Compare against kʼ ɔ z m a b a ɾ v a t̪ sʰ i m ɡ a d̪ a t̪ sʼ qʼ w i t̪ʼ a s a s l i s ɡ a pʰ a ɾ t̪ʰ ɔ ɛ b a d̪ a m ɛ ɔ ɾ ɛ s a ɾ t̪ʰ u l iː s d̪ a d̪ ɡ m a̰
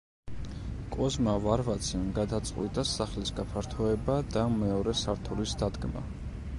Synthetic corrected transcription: kʼ ɔ z m a v a ɾ v a t̪ sʰ i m ɡ a d̪ a t̪ sʼ qʼ w i t̪ʼ a s a χ l i s ɡ a pʰ a ɾ t̪ʰ ɔ ɛ b a d̪ a m ɛ ɔ ɾ ɛ s a ɾ t̪ʰ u l i s d̪ a d̪ ɡ m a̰